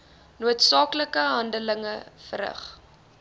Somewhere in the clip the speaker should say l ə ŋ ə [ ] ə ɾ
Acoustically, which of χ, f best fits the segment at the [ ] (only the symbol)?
f